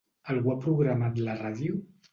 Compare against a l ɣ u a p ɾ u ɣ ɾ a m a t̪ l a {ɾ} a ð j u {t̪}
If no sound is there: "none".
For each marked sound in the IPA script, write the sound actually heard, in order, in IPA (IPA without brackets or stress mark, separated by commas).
r, none